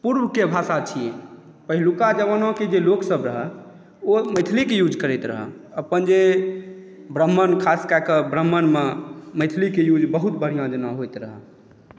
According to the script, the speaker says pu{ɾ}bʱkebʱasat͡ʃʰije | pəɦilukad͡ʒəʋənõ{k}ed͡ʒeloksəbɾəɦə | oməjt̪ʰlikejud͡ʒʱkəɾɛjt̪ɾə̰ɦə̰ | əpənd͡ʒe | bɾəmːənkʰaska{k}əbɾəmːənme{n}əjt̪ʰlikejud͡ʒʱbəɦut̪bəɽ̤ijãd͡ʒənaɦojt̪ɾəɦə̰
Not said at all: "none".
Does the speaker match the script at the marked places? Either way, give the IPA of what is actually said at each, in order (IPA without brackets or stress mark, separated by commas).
ɾ, k, k, m